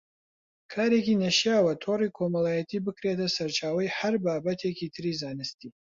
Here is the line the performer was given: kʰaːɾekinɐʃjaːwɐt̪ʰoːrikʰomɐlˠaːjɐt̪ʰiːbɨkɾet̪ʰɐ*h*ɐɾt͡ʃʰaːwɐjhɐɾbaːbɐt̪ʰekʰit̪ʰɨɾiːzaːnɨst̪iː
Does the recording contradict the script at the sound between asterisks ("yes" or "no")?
yes